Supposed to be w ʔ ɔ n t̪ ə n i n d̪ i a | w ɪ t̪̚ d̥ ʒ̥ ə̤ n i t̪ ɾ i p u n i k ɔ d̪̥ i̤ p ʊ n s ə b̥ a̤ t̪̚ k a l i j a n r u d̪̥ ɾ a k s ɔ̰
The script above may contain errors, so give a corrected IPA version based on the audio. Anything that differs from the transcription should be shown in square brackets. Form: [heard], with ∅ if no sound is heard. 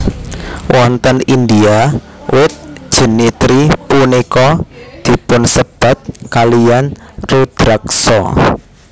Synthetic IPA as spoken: w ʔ ɔ n t̪ ə n i n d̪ i a | w ɪ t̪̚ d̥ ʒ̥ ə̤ n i t̪ ɾ i p u n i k ɔ d̪̥ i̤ p ʊ n s ə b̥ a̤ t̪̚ k a l i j a n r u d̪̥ ɾ a k s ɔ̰